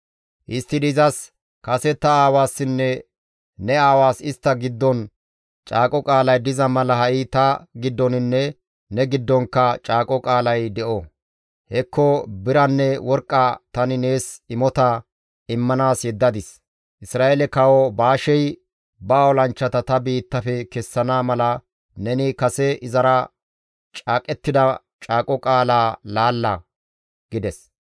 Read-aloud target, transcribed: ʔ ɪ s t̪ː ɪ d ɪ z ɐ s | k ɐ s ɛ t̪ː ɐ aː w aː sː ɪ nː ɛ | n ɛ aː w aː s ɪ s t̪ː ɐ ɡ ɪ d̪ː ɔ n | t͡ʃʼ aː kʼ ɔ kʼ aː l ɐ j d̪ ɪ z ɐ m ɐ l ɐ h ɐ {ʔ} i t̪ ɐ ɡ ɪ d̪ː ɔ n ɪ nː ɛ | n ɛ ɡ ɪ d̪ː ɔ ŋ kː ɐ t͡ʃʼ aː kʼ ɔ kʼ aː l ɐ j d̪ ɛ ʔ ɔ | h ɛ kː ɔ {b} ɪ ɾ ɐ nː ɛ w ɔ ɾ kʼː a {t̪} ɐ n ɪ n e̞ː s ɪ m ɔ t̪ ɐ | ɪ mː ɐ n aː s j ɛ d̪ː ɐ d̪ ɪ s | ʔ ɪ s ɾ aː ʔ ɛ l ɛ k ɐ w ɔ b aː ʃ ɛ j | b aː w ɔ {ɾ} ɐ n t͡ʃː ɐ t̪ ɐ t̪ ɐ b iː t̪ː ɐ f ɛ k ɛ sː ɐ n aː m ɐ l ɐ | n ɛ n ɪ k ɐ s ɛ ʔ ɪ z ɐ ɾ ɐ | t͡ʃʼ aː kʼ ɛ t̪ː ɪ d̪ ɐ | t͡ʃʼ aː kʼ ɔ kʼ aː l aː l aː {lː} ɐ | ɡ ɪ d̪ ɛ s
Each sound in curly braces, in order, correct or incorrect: correct, correct, correct, incorrect: l, correct

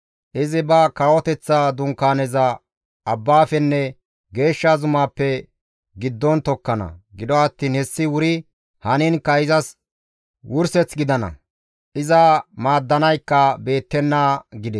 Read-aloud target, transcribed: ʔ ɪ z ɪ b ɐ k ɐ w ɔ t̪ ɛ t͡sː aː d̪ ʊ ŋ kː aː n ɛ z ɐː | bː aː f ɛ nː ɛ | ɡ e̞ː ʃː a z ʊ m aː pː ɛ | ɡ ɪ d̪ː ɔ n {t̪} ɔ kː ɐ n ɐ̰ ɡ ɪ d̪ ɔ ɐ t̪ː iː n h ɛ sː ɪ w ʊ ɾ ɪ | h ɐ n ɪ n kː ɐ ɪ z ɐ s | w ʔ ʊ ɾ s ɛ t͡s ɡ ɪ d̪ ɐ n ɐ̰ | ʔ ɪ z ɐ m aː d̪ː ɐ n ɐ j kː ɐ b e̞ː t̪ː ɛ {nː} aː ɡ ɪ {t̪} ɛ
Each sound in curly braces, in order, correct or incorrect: correct, correct, incorrect: d̪

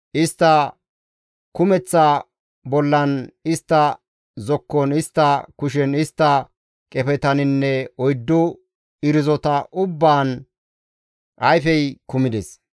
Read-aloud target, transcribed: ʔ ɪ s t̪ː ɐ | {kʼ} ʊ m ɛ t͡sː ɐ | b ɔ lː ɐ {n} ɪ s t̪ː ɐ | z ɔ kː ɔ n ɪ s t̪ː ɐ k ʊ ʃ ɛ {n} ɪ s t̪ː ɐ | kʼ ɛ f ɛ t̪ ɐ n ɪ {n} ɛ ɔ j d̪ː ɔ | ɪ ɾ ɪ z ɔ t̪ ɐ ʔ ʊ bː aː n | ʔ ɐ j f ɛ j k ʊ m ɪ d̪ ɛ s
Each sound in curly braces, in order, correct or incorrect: incorrect: k, correct, correct, incorrect: nː

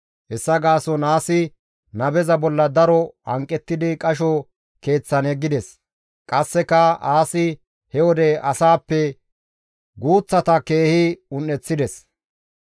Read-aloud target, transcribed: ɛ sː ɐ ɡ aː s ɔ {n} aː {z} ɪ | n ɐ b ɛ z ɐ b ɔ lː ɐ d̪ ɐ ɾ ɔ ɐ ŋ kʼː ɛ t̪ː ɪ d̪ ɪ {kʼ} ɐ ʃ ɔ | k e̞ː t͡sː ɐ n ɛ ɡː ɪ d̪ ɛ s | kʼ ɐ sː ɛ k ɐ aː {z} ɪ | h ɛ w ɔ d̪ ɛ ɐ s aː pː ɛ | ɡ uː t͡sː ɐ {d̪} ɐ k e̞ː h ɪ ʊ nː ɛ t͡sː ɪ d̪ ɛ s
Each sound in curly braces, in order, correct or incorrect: correct, incorrect: s, correct, incorrect: s, incorrect: t̪

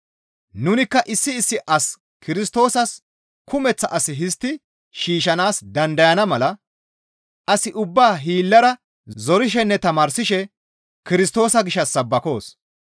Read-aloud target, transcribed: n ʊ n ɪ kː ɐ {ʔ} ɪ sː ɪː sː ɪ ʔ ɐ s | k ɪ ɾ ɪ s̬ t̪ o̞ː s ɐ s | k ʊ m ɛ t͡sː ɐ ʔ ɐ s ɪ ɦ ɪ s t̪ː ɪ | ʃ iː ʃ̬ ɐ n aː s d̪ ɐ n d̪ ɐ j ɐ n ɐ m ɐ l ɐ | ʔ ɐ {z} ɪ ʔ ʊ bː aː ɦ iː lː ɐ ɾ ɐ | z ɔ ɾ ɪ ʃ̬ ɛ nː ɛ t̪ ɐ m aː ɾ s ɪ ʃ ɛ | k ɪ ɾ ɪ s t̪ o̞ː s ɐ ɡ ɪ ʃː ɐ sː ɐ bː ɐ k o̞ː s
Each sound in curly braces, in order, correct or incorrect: correct, incorrect: s

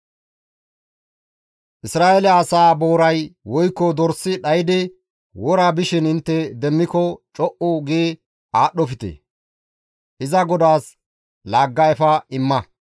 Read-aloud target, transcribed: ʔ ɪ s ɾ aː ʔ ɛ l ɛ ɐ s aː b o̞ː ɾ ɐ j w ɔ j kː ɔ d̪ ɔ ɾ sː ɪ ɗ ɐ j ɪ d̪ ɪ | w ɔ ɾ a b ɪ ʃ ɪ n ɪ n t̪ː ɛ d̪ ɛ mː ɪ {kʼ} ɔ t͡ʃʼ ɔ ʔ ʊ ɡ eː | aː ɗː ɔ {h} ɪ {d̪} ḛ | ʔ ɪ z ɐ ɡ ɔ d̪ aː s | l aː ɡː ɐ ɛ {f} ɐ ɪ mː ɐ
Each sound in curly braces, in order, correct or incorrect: incorrect: k, incorrect: f, incorrect: t̪, correct

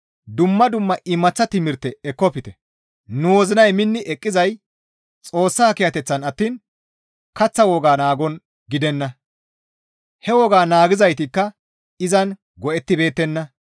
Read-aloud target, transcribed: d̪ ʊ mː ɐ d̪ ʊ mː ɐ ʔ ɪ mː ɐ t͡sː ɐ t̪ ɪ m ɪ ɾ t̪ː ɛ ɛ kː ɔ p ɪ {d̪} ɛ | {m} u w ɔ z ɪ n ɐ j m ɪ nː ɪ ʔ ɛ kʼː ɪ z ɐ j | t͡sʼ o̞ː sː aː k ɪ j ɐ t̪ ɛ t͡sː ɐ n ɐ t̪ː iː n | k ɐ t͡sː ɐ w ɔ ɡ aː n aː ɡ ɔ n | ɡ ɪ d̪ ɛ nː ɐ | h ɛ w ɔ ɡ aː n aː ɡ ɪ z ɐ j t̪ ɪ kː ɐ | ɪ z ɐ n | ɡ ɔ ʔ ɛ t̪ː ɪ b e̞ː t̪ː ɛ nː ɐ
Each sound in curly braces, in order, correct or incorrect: incorrect: t̪, incorrect: n

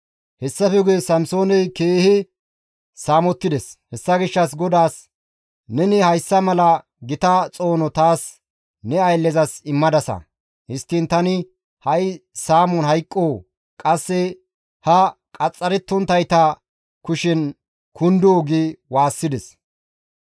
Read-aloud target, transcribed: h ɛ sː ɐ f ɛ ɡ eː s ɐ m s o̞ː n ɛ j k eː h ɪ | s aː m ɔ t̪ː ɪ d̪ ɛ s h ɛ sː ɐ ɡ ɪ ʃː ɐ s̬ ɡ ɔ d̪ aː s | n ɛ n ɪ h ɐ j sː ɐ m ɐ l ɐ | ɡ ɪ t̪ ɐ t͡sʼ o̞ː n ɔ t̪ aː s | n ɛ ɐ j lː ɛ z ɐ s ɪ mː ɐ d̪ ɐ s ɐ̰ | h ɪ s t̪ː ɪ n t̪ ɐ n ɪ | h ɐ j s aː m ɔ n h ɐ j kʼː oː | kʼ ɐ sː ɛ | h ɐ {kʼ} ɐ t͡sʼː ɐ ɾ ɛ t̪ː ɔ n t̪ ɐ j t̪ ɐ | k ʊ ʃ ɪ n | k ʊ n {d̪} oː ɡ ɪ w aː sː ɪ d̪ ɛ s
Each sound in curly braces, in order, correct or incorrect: correct, correct

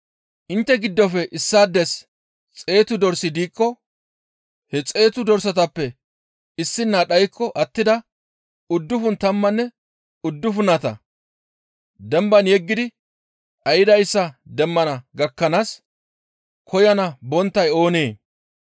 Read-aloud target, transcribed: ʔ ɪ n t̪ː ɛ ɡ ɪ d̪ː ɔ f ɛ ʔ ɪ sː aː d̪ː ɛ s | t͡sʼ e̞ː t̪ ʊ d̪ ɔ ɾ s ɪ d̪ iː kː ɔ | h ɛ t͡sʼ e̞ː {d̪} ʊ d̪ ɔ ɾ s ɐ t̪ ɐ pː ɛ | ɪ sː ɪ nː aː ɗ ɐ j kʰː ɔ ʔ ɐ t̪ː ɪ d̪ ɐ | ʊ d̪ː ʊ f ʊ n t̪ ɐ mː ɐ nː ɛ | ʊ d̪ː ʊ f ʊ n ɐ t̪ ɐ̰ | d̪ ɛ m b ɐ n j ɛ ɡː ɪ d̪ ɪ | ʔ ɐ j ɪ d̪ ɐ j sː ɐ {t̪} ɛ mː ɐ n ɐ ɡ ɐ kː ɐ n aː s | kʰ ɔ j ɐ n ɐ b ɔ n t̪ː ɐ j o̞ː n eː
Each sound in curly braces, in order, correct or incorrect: incorrect: t̪, incorrect: d̪

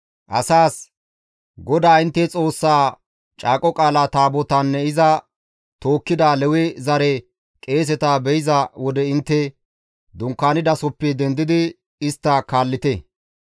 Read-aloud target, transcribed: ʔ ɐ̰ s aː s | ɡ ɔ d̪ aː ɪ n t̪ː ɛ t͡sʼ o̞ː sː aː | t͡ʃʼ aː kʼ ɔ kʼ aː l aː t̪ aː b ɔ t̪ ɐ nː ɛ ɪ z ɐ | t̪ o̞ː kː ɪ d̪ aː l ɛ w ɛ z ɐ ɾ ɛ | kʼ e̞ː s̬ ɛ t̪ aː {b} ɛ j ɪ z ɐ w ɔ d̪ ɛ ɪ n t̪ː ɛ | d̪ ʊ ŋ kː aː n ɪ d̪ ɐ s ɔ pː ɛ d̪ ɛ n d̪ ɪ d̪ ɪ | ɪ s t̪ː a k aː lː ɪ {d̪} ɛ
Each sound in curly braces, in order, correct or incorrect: correct, incorrect: t̪

